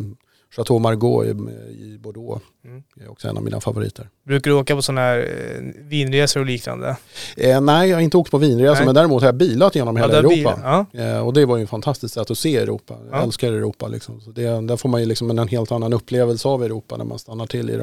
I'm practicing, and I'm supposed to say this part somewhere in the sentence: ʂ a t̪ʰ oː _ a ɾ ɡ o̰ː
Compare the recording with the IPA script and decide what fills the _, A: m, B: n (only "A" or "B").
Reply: A